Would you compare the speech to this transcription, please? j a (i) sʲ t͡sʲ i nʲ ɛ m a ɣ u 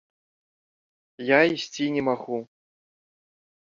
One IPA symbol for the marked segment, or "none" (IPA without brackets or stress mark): i